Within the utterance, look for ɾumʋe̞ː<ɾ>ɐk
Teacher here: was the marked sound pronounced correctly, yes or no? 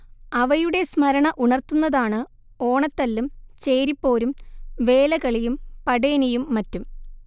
no